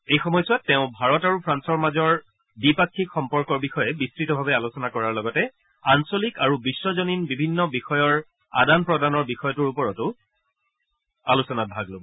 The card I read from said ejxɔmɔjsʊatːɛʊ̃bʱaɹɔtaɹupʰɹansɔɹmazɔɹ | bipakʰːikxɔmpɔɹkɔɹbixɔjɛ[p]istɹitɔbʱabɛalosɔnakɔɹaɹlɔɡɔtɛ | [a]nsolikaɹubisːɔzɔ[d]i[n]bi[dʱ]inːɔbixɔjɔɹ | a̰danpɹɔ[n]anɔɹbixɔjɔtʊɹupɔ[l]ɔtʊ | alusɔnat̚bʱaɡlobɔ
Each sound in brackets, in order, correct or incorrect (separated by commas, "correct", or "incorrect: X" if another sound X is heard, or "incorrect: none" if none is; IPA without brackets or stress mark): incorrect: b, correct, incorrect: n, correct, incorrect: bʱ, incorrect: d, incorrect: ɹ